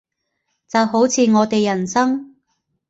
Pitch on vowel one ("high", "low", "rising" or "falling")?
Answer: low